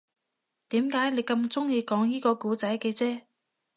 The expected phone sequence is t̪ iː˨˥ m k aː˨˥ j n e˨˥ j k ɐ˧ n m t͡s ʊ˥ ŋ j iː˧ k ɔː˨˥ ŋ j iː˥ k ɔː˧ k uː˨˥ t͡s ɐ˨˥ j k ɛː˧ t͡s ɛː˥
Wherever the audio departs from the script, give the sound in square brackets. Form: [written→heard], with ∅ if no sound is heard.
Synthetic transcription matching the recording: t̪ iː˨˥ m k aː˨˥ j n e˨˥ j k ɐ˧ [n→∅] m t͡s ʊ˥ ŋ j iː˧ k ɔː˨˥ ŋ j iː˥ k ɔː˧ k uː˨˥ t͡s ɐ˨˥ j k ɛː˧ t͡s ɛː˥